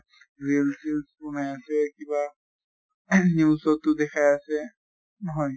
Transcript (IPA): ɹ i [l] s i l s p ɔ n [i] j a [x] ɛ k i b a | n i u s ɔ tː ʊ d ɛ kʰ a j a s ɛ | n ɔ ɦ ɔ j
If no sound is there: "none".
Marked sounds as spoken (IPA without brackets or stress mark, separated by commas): l, a, s